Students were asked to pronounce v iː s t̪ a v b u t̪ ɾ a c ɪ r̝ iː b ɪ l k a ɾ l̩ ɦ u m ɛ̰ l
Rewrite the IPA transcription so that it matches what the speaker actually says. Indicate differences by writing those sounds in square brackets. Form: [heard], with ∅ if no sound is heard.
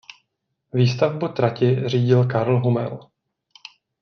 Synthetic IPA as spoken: v iː s t̪ a v b u t̪ ɾ a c ɪ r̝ iː [ɟ] ɪ l k a ɾ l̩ ɦ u m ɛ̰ l